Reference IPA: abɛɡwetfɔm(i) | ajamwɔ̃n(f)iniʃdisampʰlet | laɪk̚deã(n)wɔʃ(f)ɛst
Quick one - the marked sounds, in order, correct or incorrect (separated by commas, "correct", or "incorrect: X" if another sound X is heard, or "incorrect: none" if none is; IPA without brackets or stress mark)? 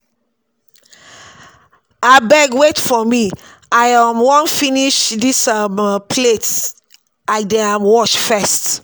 correct, correct, incorrect: m, correct